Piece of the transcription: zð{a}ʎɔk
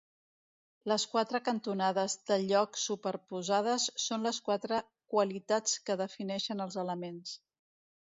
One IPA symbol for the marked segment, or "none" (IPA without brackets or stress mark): ə